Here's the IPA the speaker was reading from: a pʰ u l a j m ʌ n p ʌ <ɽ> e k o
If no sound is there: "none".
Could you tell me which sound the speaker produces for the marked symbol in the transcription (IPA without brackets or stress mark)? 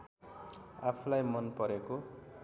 ɾ